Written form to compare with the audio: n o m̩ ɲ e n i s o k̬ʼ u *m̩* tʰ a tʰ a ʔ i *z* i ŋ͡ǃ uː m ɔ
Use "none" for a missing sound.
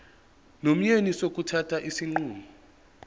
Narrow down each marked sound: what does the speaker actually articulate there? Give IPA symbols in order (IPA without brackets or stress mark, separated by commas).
none, s